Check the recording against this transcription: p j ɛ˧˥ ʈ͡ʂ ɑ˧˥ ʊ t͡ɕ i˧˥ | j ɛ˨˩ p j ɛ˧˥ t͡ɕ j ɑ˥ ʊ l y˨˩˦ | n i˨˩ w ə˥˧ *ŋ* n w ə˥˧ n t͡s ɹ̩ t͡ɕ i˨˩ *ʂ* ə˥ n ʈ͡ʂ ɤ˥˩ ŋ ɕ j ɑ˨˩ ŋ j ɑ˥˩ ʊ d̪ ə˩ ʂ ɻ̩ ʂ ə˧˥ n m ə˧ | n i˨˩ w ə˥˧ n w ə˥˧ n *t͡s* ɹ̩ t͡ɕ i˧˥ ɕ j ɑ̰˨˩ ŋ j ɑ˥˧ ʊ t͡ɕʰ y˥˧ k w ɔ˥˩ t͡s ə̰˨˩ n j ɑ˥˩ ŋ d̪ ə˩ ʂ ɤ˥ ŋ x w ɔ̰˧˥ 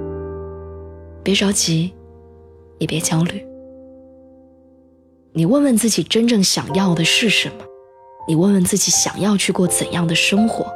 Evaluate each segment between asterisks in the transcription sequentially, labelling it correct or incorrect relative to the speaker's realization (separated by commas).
incorrect, incorrect, correct